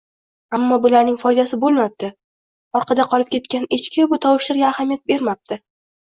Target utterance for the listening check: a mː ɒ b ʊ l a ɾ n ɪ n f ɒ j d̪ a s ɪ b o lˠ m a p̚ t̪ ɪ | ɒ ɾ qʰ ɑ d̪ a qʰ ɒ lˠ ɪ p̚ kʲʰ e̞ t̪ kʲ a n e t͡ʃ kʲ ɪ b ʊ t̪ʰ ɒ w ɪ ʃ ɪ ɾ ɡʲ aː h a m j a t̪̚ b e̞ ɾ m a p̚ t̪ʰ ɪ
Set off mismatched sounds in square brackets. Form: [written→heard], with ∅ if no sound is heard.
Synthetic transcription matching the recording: a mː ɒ b ʊ l a ɾ n ɪ [n→ŋ] f ɒ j d̪ a s ɪ b o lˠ m a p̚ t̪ ɪ | ɒ ɾ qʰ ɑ d̪ a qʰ ɒ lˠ ɪ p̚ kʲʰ e̞ t̪ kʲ a n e t͡ʃ kʲ ɪ b ʊ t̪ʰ ɒ w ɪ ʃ ɪ ɾ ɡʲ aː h a m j a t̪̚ b e̞ ɾ m a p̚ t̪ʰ ɪ